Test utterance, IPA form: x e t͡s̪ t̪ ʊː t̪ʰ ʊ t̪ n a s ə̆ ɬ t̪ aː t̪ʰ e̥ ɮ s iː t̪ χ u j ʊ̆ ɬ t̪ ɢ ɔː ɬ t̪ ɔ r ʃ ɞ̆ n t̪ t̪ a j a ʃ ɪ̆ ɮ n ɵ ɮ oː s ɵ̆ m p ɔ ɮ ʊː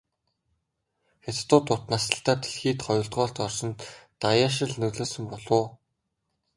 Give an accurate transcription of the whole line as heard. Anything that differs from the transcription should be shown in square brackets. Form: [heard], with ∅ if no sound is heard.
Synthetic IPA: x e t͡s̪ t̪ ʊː [t̪] ʊ t̪ n a s ə̆ ɬ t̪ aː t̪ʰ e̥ ɮ [x] iː t̪ χ [ɔ] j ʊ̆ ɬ t̪ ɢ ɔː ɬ t̪ ɔ r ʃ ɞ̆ n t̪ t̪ a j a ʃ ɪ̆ ɮ n ɵ ɮ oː s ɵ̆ m p ɔ ɮ ʊː